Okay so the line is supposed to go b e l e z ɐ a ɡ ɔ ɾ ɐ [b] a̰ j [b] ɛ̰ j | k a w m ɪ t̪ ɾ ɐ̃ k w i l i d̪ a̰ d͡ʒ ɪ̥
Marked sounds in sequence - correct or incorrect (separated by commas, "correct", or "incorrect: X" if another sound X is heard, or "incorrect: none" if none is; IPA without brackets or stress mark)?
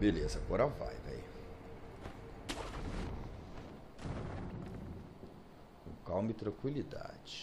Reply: incorrect: v, incorrect: v